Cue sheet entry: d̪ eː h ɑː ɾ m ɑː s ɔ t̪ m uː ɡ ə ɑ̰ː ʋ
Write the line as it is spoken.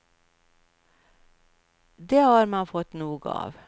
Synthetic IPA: d̪ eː h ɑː ɾ m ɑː f ɔ t̪ n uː ɡ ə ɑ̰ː ʋ